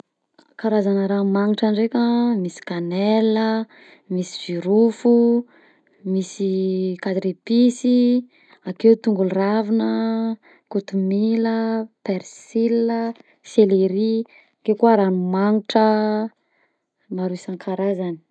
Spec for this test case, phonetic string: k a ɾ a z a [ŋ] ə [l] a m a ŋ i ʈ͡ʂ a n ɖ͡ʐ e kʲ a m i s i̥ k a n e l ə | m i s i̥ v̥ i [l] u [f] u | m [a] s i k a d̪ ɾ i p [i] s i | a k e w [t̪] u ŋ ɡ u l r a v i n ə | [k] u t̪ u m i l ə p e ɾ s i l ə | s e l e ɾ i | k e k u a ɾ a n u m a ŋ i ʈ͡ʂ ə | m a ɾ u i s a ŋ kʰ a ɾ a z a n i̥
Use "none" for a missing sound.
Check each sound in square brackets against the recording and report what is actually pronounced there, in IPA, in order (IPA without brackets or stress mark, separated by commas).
n, ɾ, ɾ, f, i, i, t̪, k